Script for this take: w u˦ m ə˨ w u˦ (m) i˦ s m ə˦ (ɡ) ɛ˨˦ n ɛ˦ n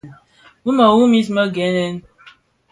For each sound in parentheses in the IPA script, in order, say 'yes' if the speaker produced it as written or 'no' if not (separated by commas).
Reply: yes, yes